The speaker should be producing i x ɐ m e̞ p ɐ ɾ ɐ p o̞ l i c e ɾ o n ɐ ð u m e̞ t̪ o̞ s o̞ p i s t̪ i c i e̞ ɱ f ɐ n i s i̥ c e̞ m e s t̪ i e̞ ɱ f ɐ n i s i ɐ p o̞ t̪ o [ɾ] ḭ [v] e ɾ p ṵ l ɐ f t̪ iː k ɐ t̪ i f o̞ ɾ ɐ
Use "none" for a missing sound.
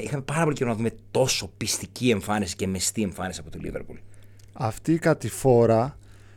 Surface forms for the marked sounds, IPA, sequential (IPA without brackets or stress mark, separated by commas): l, v